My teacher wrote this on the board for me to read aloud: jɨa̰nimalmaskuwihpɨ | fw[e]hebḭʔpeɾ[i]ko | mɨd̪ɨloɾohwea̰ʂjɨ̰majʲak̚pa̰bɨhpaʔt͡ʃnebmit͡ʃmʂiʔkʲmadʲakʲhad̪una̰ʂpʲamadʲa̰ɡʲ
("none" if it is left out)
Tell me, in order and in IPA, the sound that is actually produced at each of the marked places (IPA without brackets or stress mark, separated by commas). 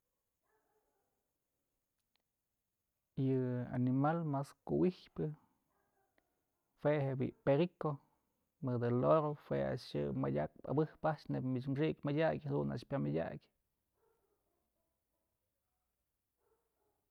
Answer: e, i